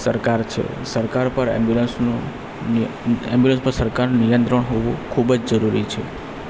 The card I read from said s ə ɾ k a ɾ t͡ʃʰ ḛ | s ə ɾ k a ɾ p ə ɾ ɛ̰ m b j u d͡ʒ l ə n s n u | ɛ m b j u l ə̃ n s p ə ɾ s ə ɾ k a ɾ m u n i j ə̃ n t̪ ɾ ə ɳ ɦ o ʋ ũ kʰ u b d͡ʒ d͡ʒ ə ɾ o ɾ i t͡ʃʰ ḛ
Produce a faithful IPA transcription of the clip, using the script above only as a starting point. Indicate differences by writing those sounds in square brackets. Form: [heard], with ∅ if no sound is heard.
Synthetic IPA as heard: s ə ɾ k a ɾ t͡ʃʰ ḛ | s ə ɾ k a ɾ p ə ɾ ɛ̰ m b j u [∅] l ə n s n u | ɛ m b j u l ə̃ n s p ə ɾ s ə ɾ k a ɾ [n] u n i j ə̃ n t̪ ɾ ə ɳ ɦ o ʋ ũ kʰ u b d͡ʒ d͡ʒ ə ɾ [u] ɾ i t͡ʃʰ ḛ